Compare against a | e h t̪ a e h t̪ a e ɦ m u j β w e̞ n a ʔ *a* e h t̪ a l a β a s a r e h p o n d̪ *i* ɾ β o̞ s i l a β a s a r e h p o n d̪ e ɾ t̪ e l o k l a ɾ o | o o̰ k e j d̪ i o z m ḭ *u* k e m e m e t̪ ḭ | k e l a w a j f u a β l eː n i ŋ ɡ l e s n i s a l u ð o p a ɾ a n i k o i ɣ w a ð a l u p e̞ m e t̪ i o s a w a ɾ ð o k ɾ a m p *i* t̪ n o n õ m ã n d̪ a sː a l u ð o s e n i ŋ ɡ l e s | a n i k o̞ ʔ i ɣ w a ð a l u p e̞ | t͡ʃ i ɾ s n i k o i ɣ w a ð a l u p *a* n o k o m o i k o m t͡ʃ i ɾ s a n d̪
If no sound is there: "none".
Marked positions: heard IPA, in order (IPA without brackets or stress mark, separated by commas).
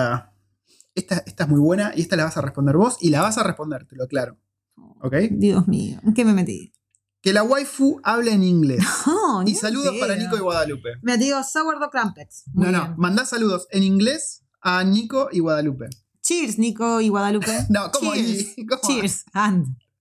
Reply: i, e, o, e, e